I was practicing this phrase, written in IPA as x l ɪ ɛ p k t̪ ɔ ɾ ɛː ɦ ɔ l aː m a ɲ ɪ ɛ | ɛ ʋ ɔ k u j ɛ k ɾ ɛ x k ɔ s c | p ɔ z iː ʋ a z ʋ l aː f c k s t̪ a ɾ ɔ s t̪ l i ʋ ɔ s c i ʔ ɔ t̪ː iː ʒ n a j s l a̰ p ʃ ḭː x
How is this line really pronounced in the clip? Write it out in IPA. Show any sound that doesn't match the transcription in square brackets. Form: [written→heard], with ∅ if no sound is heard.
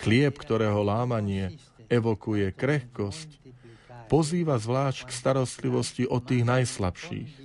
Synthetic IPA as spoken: x l ɪ ɛ p k t̪ ɔ ɾ ɛː ɦ ɔ l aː m a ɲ ɪ ɛ | ɛ ʋ ɔ k u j ɛ k ɾ ɛ x k ɔ s c | p ɔ z iː ʋ a z ʋ l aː [f→ʃ] c k s t̪ a ɾ ɔ s t̪ l i ʋ ɔ s c i ʔ ɔ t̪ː iː [ʒ→ɣ] n a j s l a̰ p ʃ ḭː x